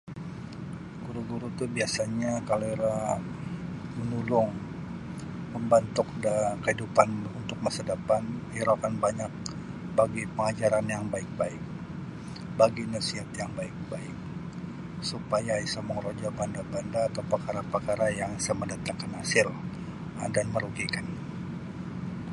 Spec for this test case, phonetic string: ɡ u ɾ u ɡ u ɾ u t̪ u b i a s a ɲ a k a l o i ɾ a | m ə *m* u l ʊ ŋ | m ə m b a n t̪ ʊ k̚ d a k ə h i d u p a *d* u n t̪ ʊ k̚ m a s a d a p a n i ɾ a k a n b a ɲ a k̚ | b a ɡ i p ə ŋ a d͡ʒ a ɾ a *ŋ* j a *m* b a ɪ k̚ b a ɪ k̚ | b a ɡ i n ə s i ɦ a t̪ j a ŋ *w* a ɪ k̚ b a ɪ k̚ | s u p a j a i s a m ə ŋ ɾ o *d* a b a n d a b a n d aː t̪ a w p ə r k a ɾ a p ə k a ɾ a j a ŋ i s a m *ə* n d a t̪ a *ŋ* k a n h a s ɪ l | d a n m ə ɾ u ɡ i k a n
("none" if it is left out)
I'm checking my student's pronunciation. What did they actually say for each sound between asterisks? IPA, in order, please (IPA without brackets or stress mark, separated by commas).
n, n, n, ŋ, b, d͡ʒ, ə, ŋ